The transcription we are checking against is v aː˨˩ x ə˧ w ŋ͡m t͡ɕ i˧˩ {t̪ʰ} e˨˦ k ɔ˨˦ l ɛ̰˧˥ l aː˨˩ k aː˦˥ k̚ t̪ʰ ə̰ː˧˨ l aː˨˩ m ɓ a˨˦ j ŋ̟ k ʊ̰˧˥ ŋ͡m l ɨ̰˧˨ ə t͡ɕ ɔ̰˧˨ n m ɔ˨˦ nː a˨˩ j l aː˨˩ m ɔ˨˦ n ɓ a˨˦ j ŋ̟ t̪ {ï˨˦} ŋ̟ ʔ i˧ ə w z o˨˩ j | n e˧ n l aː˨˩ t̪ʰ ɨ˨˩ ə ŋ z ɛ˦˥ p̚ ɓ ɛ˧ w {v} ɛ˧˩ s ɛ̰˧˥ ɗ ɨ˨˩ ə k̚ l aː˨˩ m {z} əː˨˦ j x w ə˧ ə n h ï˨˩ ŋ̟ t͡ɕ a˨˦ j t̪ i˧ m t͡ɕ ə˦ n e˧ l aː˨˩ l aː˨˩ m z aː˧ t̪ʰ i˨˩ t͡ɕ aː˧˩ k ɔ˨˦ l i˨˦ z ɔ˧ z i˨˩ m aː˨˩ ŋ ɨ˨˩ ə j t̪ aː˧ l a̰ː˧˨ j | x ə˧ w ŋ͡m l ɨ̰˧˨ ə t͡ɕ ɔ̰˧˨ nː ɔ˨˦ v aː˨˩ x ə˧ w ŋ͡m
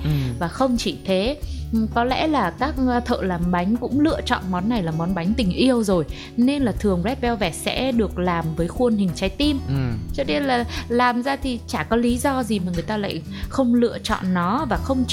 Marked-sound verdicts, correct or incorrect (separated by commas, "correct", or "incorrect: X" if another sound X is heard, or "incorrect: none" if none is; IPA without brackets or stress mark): correct, incorrect: ï˨˩, correct, incorrect: v